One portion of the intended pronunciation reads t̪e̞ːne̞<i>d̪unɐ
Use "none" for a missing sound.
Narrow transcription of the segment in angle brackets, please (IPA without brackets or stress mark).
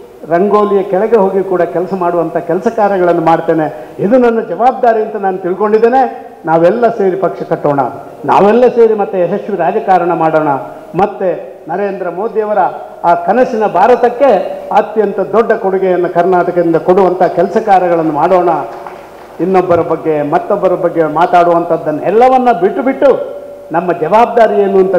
i